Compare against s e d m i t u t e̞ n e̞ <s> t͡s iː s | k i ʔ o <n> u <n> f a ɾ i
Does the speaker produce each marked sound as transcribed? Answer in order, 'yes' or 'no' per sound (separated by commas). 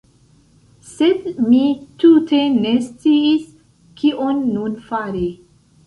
yes, no, yes